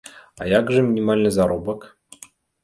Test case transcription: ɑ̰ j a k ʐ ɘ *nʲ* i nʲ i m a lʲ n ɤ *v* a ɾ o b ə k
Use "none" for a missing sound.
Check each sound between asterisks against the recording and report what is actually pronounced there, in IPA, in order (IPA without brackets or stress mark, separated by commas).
mʲ, z